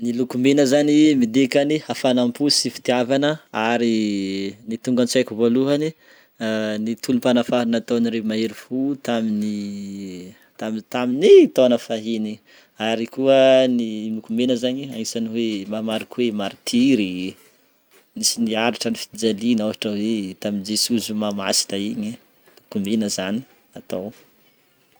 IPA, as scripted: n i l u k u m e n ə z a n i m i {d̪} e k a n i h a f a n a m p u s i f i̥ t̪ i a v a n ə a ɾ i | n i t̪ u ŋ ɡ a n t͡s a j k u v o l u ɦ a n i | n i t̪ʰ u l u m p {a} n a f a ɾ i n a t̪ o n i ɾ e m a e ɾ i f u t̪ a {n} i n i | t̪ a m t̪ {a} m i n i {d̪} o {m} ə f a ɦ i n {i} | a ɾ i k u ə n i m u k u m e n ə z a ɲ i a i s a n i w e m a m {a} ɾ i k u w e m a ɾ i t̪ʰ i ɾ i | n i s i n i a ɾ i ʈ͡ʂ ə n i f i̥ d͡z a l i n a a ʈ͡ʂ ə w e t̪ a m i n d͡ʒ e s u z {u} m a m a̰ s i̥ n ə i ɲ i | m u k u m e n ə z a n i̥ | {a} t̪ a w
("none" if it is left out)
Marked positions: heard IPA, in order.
d̪, a, m, a, t̪, n, i, a, u, a

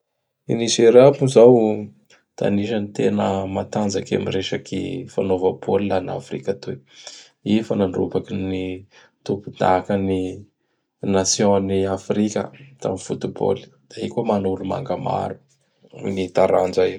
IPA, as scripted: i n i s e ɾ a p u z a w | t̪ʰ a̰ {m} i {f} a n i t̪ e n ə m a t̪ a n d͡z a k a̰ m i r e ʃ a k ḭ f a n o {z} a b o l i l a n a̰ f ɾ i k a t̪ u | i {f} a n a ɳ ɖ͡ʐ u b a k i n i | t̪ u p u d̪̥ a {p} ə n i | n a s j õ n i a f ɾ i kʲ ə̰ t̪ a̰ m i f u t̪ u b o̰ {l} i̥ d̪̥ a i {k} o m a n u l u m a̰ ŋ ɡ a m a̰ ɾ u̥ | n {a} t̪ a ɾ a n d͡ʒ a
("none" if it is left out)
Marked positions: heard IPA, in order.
n, ʃ, v, f, k, l, k, i

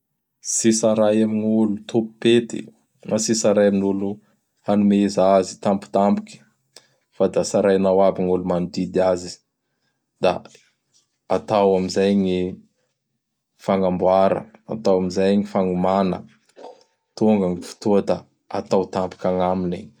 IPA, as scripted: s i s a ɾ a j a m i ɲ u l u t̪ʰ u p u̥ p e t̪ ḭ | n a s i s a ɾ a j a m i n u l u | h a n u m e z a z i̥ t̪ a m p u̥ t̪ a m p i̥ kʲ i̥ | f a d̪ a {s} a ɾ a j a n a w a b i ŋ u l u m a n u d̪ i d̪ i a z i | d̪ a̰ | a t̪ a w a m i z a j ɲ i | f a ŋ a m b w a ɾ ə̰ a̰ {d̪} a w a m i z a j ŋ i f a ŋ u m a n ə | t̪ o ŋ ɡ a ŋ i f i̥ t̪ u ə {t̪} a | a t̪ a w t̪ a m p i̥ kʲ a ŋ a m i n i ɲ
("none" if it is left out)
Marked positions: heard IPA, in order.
s, t̪, d̪

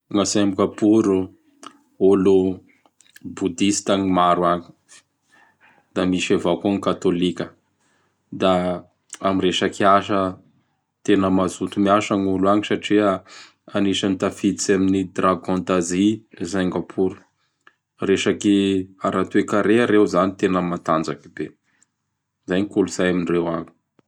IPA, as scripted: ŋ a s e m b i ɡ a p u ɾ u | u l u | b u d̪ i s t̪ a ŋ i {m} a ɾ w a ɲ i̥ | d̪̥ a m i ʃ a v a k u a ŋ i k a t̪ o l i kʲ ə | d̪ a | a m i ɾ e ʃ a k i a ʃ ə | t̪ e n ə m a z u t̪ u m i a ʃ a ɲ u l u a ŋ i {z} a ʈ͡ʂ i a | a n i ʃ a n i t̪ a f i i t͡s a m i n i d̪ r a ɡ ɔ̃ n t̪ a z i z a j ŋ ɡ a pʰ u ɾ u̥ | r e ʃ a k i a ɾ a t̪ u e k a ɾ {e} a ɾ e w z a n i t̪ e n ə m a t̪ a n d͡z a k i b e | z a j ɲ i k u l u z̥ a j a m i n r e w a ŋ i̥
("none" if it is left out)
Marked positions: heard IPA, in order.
m, s, e

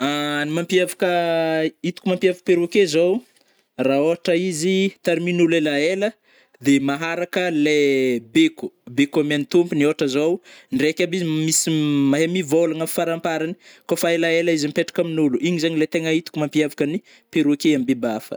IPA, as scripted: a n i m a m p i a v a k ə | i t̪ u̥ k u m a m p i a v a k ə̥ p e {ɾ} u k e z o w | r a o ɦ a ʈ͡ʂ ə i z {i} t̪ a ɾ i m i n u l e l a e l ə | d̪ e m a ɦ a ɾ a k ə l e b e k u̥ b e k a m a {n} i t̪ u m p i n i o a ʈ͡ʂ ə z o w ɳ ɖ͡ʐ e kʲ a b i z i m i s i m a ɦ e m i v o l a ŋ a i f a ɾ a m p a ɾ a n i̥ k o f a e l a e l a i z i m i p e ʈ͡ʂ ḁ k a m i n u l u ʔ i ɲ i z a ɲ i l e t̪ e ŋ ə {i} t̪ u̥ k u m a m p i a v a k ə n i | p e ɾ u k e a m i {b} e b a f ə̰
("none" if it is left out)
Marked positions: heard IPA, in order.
ɾ, i, n, i, b

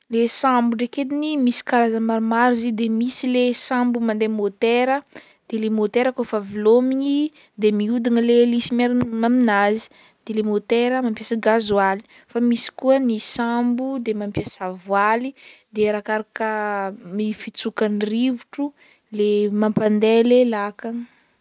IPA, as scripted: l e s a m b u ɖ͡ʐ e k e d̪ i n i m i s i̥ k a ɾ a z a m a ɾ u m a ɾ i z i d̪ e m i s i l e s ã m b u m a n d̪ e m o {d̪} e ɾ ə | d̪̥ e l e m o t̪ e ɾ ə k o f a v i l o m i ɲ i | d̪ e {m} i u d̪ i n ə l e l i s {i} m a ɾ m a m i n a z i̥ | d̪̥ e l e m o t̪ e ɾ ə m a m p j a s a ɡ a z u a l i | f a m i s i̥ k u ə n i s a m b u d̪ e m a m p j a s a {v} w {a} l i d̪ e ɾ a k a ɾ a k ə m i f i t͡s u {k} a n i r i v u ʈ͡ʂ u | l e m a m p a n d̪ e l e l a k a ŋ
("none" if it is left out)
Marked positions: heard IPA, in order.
t̪, m, i, v, a, k

